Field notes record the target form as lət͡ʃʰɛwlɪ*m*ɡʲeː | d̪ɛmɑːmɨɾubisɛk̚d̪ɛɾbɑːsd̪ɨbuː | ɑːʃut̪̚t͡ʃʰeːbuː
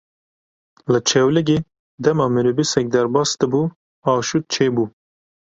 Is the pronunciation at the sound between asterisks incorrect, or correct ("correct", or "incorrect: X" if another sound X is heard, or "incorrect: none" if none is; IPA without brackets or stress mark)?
incorrect: none